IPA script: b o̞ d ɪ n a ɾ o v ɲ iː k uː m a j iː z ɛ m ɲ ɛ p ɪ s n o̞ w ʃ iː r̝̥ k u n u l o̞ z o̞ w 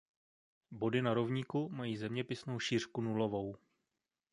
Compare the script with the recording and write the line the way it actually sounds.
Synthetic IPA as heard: b o̞ d ɪ n a ɾ o v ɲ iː k u m a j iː z ɛ m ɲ ɛ p ɪ s n o̞ w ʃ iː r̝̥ k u n u l o̞ v o̞ w